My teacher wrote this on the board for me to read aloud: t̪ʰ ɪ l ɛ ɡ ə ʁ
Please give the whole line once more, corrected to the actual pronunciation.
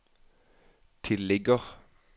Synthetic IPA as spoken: t̪ʰ ɪ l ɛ ɡ ə ʁ